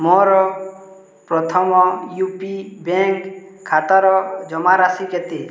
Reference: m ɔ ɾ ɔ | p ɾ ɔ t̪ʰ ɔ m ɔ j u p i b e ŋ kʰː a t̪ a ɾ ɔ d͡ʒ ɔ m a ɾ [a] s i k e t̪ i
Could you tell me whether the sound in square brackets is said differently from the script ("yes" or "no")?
no